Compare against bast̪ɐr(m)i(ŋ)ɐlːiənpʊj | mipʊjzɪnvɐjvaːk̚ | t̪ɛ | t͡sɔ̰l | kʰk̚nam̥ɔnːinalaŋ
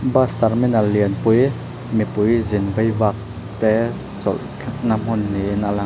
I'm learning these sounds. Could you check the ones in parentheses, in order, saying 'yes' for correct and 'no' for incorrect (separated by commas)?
yes, no